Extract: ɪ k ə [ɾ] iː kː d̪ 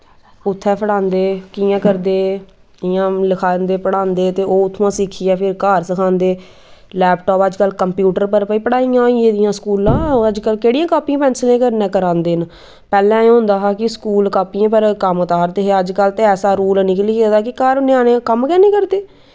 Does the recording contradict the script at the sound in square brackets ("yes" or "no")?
yes